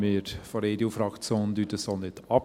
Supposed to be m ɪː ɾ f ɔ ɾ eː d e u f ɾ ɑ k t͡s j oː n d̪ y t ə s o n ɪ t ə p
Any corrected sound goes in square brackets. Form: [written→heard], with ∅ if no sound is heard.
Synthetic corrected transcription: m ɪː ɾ f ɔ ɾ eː d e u f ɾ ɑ k t͡s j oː n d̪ y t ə s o n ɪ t [ə→ɑ] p